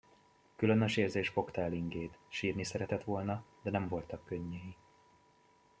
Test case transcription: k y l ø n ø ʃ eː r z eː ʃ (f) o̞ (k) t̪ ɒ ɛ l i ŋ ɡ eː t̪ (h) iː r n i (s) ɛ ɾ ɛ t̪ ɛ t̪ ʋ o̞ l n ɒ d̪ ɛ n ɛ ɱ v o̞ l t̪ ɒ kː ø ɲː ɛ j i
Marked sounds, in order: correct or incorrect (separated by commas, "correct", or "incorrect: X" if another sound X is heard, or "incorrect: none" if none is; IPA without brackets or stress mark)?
correct, correct, incorrect: ʃ, correct